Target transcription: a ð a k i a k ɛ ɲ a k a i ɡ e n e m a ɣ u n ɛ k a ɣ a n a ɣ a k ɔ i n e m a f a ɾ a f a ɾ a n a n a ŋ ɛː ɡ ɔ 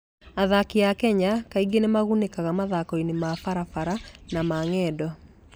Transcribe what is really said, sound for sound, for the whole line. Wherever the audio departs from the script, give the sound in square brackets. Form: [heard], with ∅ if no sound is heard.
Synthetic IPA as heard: a ð a k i a k ɛ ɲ a k a i ɡ e n e m a ɣ u n [e] k a ɣ a [m] a [ð] a k ɔ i n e m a f a ɾ a f a ɾ a n a [m] a ŋ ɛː [d] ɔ